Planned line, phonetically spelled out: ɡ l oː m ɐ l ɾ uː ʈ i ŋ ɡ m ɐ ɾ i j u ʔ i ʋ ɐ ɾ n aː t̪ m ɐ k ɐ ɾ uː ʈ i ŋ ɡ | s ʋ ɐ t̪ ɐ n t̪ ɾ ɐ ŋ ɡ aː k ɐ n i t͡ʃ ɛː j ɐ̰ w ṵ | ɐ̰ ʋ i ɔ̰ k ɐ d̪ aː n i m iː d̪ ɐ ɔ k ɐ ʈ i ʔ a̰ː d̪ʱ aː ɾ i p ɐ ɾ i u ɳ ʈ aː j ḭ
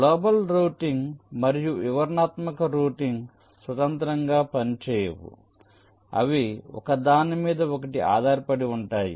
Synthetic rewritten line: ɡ l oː b ɐ l ɾ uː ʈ i ŋ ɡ m ɐ ɾ i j u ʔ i ʋ ɐ ɾ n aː t̪ m ɐ k ɐ ɾ uː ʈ i ŋ ɡ | s ʋ ɐ t̪ ɐ n t̪ ɾ ɐ ŋ ɡ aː p ɐ n i t͡ʃ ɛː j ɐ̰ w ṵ | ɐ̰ ʋ i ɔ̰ k ɐ d̪ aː n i m iː d̪ ɐ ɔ k ɐ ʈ i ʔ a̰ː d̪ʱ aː ɾ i p ɐ ɽ i u ɳ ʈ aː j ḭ